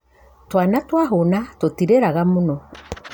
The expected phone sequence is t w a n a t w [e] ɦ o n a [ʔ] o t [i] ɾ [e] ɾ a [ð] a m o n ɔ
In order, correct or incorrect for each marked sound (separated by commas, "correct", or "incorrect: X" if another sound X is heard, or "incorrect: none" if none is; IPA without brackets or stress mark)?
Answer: incorrect: a, incorrect: t, correct, correct, incorrect: ɣ